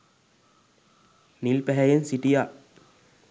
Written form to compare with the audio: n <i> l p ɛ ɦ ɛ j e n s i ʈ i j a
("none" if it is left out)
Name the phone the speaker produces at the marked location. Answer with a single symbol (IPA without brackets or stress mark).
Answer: i